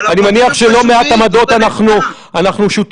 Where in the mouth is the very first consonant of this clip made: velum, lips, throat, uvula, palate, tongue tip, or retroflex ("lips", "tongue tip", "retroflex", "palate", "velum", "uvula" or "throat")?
tongue tip